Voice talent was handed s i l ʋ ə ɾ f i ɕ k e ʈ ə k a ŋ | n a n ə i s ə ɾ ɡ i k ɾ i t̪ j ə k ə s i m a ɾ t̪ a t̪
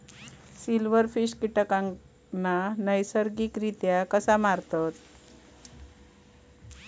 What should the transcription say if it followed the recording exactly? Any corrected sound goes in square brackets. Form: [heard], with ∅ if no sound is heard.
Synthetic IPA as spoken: s i l ʋ ə ɾ f i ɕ k [i] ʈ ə k a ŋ | n a n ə [j] s ə ɾ ɡ i k ɾ i t̪ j [a] k ə s [a] m a ɾ t̪ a t̪